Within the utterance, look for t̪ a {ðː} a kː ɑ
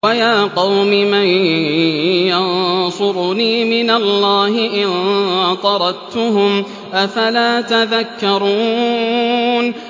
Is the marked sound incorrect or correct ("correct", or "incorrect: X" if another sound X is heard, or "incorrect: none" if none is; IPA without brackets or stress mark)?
incorrect: ð